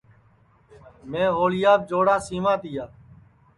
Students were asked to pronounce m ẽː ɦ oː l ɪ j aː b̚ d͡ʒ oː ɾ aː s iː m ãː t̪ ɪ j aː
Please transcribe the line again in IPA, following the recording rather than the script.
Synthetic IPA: m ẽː ɦ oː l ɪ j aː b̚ d͡ʒ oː ɽ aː s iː m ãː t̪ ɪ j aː